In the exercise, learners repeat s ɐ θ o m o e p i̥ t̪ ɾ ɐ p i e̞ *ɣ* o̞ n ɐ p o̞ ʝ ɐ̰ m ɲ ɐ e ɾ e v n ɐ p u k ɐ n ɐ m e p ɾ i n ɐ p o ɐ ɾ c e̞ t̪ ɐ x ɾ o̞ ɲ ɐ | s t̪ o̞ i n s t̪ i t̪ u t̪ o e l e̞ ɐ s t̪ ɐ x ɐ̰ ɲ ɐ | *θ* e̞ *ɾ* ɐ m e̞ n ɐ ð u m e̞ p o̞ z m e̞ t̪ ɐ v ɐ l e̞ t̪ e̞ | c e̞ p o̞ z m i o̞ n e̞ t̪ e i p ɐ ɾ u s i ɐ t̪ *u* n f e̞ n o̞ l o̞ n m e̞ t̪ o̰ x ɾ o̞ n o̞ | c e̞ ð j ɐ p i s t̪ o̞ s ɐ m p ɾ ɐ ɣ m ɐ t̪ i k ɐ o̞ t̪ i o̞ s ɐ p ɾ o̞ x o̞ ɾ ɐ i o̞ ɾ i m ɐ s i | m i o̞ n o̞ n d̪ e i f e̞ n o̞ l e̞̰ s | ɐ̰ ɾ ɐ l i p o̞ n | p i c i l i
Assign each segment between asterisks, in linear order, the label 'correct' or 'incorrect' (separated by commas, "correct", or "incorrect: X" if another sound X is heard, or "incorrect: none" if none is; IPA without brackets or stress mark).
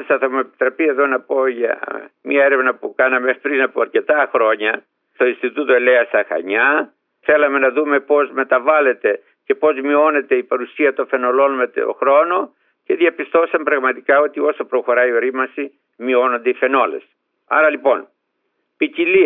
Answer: incorrect: ð, correct, incorrect: l, incorrect: o